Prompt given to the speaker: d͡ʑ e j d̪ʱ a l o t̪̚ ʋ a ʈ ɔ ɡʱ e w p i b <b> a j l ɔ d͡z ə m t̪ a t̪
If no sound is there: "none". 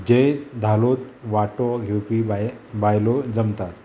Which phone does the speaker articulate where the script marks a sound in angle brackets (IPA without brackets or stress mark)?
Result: b